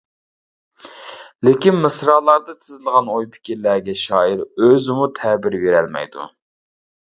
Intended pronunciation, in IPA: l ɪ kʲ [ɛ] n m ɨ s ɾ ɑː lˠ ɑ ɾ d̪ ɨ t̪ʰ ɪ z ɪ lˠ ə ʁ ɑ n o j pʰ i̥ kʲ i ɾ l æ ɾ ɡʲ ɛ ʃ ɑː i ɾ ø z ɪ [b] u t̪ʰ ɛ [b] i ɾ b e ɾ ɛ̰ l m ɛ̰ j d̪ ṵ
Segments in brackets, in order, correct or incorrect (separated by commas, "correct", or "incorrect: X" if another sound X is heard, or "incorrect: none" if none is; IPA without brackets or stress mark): incorrect: i, incorrect: m, correct